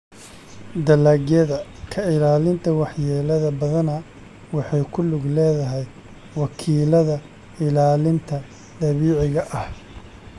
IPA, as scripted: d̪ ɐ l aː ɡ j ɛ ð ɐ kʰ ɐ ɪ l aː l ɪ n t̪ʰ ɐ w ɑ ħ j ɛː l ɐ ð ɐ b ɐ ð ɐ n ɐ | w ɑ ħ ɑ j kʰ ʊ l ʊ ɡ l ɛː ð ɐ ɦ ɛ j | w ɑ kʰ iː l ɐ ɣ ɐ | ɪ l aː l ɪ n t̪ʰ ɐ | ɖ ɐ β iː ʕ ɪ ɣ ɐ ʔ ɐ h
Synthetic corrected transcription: d̪ ɐ l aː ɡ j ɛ ð ɐ kʰ ɐ ɪ l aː l ɪ n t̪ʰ ɐ w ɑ ħ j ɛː l ɐ ð ɐ b ɐ ð ɐ n ɐ | w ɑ ħ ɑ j kʰ ʊ l ʊ ɡ l ɛː ð ɐ ɦ ɛ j | w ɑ kʰ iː l ɐ ð ɐ | ɪ l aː l ɪ n t̪ʰ ɐ | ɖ ɐ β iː ʕ ɪ ɣ ɐ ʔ ɐ h